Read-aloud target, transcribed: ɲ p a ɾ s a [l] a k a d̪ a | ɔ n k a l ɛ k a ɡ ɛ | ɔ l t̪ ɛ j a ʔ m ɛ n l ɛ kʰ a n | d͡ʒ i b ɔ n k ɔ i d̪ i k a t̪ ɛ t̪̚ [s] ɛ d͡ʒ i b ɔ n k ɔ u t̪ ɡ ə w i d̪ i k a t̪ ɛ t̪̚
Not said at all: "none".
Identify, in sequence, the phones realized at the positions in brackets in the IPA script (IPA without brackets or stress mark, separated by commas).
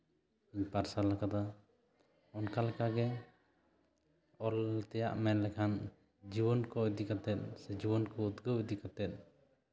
l, s